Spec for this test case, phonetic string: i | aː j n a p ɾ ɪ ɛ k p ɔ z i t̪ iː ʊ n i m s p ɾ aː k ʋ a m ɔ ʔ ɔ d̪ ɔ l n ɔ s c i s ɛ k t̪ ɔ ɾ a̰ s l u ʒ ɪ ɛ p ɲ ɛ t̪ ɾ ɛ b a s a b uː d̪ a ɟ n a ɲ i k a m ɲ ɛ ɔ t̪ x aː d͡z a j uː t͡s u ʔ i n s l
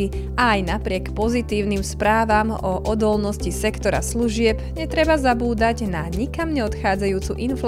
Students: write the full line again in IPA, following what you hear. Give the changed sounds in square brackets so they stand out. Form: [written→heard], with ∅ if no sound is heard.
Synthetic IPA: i | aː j n a p ɾ ɪ ɛ k p ɔ z i t̪ iː ʊ n i m s p ɾ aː [k→∅] ʋ a m ɔ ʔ ɔ d̪ ɔ l n ɔ s c i s ɛ k t̪ ɔ ɾ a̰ s l u ʒ ɪ ɛ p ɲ ɛ t̪ ɾ ɛ b a [s→z] a b uː d̪ a ɟ n a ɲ i k a m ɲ ɛ ɔ t̪ x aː d͡z a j uː t͡s u ʔ i n [s→f] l